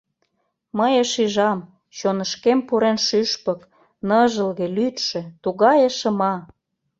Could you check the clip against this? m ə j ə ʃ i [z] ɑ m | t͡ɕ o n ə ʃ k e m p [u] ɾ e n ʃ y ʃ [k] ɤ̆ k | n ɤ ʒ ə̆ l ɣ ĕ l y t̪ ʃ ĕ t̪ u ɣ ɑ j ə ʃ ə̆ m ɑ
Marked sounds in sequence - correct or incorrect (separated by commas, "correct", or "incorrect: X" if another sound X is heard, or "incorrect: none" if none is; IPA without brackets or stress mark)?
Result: incorrect: ʒ, correct, incorrect: p